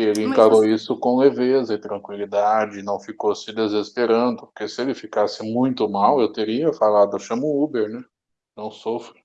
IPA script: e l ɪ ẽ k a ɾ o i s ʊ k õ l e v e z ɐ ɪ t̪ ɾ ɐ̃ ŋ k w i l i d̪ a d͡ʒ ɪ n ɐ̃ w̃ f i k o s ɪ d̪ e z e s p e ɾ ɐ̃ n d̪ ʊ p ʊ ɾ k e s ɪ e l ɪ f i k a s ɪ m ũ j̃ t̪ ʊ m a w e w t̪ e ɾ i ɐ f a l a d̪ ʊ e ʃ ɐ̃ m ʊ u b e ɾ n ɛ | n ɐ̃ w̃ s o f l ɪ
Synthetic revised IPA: e l ɪ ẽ k a ɾ o i s ʊ k õ l e v e z ɐ ɪ t̪ ɾ ɐ̃ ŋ k w i l i d̪ a d͡ʒ ɪ n ɐ̃ w̃ f i k o s ɪ d̪ e z e s p e ɾ ɐ̃ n d̪ ʊ p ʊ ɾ k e s ɪ e l ɪ f i k a s ɪ m ũ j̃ t̪ ʊ m a w e w t̪ e ɾ i ɐ f a l a d̪ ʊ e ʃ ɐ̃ m ʊ u b e ɾ n ɛ | n ɐ̃ w̃ s o f ɾ ɪ